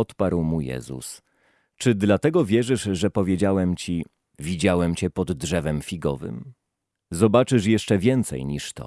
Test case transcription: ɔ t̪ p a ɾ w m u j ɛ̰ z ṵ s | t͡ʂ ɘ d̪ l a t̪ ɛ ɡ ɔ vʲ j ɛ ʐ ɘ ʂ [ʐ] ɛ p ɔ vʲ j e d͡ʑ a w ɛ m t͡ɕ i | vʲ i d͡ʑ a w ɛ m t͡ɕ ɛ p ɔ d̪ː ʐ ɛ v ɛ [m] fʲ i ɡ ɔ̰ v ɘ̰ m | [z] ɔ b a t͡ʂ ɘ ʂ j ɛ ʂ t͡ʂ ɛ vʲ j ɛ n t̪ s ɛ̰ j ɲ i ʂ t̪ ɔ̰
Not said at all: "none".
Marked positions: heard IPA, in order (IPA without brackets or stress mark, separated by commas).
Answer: ʐ, m, z